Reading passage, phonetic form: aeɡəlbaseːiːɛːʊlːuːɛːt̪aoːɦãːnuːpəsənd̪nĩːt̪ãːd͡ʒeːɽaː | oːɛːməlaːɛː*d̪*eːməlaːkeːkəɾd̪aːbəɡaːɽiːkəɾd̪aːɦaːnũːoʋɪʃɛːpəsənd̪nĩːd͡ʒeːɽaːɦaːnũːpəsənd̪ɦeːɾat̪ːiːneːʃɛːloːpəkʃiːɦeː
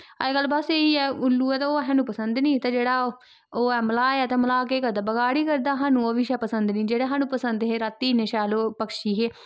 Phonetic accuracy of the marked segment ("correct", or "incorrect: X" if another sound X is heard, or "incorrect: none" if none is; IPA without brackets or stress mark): incorrect: t̪